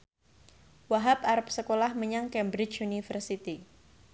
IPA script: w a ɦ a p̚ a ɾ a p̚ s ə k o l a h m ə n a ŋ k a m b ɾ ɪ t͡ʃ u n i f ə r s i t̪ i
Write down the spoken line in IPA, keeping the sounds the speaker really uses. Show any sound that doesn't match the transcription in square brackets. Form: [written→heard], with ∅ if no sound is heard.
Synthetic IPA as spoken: w a ɦ a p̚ a ɾ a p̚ s ə k o l a h m ə [n→ɲ] a ŋ k [a→ɛ] m b ɾ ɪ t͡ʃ u n i f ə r s i t̪ i